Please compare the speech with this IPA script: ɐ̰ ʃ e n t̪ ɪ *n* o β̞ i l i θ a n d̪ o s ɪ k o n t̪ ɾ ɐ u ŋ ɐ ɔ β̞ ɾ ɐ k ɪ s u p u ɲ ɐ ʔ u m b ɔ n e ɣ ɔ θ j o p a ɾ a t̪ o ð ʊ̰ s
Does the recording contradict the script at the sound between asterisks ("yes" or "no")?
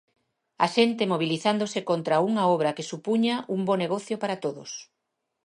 yes